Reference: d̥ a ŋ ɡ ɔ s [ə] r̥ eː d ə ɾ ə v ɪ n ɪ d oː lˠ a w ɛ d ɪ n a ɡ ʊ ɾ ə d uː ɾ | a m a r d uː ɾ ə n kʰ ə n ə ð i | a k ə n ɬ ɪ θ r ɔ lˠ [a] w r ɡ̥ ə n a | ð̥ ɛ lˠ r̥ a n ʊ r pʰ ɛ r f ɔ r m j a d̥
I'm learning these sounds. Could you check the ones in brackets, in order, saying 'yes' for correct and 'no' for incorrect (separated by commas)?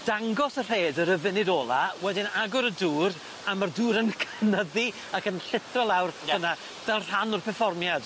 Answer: yes, yes